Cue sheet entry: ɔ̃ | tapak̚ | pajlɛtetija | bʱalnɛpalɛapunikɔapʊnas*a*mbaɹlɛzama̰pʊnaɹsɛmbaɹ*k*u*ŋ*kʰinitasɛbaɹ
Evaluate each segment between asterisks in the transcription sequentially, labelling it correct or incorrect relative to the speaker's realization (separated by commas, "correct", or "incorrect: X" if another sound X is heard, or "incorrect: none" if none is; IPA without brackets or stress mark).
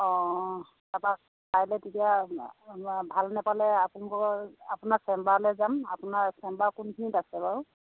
incorrect: ɛ, correct, incorrect: n